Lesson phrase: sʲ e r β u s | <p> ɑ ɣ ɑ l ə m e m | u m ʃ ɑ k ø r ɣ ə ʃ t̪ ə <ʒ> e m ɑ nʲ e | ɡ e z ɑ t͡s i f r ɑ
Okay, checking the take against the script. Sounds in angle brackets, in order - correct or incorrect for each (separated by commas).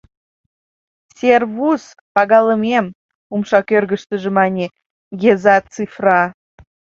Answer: correct, correct